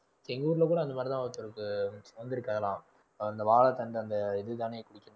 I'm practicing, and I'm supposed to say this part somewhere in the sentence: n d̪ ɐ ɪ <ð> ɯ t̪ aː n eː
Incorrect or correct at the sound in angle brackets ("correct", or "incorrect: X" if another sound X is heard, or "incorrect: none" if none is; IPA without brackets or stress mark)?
correct